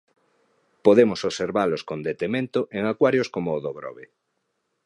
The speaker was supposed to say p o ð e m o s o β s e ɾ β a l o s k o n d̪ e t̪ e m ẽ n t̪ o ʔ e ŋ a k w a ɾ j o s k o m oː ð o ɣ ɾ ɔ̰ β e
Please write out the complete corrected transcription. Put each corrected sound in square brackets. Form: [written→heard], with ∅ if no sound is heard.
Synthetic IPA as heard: p o ð e m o s o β s e ɾ β a l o s k o n d̪ e t̪ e m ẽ n t̪ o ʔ e ŋ a k w a ɾ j o s k o m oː ð o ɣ ɾ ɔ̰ β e